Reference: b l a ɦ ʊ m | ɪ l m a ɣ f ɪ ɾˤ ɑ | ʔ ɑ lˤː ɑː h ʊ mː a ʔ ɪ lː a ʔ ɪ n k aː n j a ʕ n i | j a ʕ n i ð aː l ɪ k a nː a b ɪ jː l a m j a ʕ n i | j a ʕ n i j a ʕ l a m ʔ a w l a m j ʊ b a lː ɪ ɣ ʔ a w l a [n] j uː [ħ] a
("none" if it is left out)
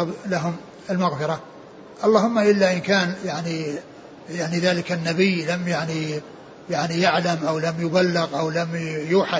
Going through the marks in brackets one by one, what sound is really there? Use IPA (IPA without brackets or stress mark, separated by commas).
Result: m, ħ